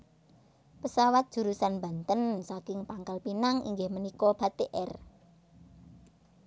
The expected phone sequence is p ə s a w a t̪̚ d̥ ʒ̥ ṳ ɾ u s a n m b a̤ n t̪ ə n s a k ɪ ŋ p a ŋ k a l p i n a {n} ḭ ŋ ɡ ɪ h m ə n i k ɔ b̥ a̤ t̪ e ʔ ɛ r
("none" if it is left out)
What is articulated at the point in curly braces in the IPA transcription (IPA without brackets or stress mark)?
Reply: ŋ